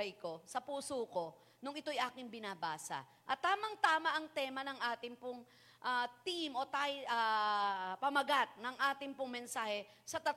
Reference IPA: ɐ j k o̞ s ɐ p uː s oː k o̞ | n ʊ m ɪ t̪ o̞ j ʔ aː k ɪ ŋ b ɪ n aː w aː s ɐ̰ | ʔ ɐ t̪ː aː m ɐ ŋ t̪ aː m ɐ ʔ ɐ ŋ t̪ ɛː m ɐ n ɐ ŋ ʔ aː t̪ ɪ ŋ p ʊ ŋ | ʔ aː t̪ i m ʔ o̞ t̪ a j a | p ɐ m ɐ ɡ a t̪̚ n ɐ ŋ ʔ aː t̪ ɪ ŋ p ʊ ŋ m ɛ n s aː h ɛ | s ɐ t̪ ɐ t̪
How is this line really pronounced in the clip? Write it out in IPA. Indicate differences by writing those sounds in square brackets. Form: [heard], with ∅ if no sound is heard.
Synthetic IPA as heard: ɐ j k o̞ s ɐ p uː s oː k o̞ | n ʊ [ŋ] ɪ t̪ o̞ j ʔ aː k ɪ ŋ b ɪ n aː [b] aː s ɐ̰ | ʔ ɐ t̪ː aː m ɐ ŋ t̪ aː m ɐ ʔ ɐ ŋ t̪ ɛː m ɐ n ɐ ŋ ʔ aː t̪ ɪ ŋ p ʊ ŋ | ʔ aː t̪ i m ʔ o̞ t̪ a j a | p ɐ m ɐ ɡ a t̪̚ n ɐ ŋ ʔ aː t̪ ɪ ŋ p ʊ ŋ m ɛ n s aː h ɛ | s ɐ t̪ ɐ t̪